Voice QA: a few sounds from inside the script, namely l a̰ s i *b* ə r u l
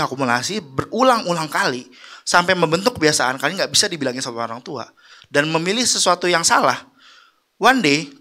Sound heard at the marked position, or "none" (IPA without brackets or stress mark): b